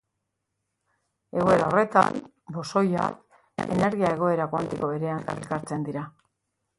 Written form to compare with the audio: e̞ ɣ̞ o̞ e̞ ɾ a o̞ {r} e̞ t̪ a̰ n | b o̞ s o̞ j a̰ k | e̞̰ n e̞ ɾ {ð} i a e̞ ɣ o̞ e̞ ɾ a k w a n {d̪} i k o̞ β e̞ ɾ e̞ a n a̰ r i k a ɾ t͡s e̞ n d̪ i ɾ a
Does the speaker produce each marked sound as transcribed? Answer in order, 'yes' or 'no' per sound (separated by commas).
yes, no, no